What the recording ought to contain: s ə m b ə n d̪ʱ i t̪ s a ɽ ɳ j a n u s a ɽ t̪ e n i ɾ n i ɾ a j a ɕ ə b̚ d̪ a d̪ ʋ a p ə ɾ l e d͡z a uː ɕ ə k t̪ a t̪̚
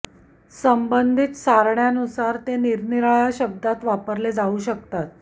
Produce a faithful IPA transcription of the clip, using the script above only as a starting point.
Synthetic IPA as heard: s ə m b ə n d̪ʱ i t̪ s a ɾ ɳ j a n u s a ɾ t̪ e n i ɾ n i ɾ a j a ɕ ə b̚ d̪ a t̪ ʋ a p ə ɾ l e d͡z a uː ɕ ə k t̪ a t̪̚